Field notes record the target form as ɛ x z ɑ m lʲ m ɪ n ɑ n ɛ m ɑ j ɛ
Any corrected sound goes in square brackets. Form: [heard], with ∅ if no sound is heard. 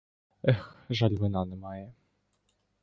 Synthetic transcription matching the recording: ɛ x [ʒ] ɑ [∅] lʲ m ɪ n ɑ n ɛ m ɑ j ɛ